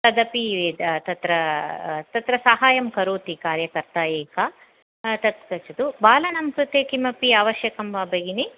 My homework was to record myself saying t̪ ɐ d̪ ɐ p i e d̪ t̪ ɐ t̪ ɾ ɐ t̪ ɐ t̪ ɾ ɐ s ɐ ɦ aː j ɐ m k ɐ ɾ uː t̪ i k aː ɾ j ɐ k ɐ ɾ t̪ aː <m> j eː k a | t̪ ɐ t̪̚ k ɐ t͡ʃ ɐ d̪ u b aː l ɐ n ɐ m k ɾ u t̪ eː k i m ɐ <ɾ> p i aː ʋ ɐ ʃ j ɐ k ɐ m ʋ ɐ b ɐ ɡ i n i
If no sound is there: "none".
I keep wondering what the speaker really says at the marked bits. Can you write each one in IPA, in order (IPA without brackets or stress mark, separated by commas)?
none, none